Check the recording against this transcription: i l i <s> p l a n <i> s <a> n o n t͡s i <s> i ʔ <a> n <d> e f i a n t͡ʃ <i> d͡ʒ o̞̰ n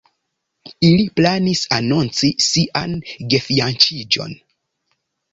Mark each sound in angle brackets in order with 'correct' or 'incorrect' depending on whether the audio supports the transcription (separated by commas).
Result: incorrect, correct, correct, correct, correct, incorrect, correct